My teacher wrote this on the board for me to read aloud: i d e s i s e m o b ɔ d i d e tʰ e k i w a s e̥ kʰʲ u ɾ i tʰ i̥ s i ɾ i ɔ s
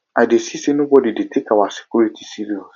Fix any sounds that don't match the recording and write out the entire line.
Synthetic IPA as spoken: a d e s i s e n o b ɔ d i d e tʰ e k a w a s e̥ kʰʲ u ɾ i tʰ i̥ s i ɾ i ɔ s